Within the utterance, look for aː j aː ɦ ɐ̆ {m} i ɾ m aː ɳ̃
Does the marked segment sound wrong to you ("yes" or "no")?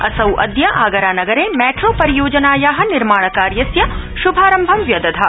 yes